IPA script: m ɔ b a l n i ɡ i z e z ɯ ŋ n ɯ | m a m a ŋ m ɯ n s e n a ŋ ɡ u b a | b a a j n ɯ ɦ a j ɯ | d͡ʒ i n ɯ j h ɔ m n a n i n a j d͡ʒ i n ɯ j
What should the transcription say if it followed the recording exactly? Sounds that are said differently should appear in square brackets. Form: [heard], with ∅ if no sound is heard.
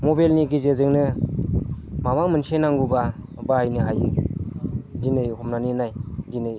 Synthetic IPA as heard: m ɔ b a l n i ɡ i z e z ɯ ŋ n ɯ | m a m a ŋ m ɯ n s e n a ŋ ɡ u b a | b a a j n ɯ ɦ a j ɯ | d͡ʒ i n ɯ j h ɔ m n a n i n a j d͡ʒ i n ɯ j